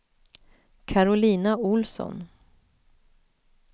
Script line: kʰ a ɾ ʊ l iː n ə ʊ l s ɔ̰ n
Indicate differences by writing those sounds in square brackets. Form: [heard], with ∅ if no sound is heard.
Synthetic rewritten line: kʰ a ɾ ʊ l iː n [a] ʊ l s ɔ̰ n